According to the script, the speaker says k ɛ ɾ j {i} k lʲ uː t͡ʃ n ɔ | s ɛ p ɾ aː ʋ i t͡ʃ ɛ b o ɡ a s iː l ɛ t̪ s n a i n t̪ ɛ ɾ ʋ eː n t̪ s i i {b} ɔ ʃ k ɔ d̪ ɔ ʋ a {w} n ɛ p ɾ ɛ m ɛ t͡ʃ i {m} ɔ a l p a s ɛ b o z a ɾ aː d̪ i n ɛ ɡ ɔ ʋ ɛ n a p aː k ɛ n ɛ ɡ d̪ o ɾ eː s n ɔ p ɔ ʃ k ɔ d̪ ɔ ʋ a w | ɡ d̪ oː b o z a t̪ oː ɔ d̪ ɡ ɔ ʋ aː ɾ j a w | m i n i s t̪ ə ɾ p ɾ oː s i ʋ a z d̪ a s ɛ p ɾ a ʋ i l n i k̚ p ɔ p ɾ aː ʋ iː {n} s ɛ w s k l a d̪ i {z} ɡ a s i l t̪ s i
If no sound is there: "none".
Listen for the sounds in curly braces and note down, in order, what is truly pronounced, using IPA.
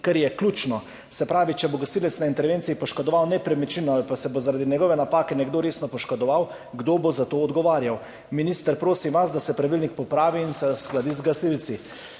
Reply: ɛ, p, w, n, n, z

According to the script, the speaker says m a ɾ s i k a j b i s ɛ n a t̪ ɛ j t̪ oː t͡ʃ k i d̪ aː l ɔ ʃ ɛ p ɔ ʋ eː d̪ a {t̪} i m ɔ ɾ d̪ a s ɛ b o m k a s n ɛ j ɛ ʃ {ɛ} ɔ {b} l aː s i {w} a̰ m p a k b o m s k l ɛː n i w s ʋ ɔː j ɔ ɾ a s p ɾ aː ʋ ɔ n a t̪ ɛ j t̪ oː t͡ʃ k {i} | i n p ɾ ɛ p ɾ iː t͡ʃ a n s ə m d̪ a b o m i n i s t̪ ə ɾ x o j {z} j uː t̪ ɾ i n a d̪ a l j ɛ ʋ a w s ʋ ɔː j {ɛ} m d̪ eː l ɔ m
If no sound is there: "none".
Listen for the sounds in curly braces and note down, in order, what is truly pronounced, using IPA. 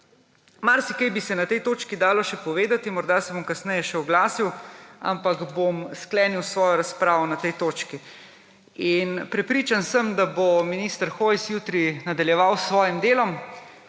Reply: t̪, ɛ, ɡ, w, i, s, i

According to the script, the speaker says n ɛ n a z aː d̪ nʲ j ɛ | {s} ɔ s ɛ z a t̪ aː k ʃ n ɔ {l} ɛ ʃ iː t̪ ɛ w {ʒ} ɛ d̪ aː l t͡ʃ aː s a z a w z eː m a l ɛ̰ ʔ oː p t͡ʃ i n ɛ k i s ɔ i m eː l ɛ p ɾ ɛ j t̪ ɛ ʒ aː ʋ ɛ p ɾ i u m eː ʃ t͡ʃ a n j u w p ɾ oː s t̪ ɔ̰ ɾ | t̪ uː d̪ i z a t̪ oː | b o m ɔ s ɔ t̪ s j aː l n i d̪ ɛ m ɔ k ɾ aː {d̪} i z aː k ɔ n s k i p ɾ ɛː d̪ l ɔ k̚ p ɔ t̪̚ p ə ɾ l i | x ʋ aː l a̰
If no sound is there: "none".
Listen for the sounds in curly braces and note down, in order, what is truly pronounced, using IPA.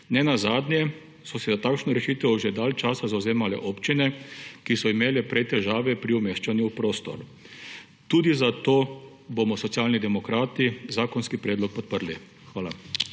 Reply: s, ɾ, ʒ, t̪

